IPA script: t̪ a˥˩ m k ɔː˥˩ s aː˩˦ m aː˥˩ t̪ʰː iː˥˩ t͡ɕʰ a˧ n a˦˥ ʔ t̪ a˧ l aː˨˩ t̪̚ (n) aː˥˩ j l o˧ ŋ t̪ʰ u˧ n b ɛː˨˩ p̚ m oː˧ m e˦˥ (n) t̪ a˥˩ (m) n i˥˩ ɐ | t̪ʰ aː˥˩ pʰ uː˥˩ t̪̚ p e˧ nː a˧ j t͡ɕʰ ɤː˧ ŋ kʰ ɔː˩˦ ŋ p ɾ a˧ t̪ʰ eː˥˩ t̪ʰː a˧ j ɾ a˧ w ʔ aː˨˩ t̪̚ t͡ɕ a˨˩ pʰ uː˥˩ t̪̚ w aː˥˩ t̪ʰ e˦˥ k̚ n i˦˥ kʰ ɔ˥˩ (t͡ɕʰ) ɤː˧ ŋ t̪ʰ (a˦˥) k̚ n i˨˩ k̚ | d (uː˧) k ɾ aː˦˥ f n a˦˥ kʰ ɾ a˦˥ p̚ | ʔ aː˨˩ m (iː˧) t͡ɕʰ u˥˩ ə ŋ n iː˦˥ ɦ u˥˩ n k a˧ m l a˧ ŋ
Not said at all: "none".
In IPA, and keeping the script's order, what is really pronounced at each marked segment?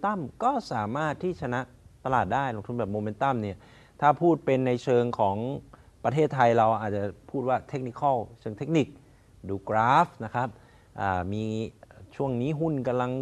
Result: d, n, m, t͡ɕʰ, e˦˥, uː˧, iː˧

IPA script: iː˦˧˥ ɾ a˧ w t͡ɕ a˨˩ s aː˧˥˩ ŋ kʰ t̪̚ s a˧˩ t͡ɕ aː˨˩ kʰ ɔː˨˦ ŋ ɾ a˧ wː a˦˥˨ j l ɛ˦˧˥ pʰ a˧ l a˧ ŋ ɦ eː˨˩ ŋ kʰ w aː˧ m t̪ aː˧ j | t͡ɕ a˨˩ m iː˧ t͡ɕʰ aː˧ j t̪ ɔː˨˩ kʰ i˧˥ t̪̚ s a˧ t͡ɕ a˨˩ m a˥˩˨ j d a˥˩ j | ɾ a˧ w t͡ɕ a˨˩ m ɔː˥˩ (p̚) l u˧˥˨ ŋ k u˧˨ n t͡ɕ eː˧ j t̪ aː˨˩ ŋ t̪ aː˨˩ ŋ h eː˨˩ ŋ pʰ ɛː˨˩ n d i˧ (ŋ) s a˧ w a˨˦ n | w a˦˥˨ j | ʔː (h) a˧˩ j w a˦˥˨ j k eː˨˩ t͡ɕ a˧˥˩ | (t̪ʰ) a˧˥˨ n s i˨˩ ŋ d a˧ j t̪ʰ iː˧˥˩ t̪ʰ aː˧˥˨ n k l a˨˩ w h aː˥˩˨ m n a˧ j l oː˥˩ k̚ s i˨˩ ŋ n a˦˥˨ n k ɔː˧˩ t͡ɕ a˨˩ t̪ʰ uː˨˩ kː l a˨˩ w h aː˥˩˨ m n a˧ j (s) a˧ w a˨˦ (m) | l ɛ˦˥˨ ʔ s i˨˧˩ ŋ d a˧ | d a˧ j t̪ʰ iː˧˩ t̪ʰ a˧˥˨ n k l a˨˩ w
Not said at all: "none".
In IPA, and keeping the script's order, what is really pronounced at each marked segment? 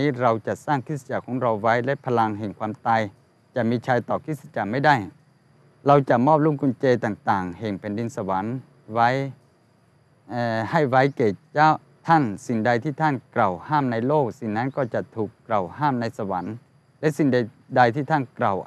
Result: p̚, n, h, t̪ʰ, s, n

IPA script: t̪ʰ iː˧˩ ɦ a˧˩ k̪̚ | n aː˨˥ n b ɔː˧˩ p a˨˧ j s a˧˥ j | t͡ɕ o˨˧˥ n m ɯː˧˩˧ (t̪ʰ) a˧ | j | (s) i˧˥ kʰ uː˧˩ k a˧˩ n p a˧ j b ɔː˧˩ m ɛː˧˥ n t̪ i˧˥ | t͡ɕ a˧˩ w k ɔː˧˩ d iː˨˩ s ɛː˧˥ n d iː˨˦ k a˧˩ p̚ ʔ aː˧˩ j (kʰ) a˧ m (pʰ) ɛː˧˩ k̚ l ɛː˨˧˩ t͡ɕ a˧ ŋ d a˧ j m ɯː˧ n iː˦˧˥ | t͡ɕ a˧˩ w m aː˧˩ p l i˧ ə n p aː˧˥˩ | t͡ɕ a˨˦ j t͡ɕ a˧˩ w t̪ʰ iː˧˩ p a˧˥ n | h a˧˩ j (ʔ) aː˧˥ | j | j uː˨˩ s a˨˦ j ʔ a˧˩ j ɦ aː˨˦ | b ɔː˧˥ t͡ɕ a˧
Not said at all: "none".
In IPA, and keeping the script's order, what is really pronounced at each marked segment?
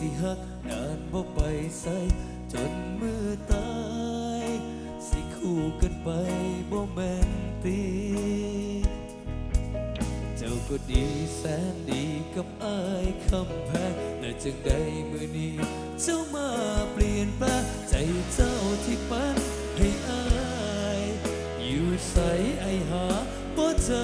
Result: t̪, s, kʰ, pʰ, ʔ

